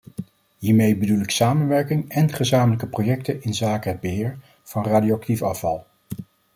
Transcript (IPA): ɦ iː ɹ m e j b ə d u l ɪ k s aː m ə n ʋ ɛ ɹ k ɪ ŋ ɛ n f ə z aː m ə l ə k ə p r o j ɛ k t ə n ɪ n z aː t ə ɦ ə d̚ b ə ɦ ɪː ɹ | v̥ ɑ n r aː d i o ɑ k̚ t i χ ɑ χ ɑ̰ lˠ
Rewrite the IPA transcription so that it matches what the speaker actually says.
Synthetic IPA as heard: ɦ iː ɹ m e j b ə d u l ɪ k s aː m ə n ʋ ɛ ɹ k ɪ ŋ ɛ n χ ə z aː m ə l ə k ə p r o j ɛ k t ə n ɪ n z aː k ə ɦ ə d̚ b ə ɦ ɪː ɹ | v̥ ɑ n r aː d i o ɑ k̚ t i f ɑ f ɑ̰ lˠ